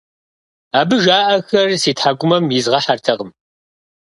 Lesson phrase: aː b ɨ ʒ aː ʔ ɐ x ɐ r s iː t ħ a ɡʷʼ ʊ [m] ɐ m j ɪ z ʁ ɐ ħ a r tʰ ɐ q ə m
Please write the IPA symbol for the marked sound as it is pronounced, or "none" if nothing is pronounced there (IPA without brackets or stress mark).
m